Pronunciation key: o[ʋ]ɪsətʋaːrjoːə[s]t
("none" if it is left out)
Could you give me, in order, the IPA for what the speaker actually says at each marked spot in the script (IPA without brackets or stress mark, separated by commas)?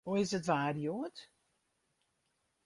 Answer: none, none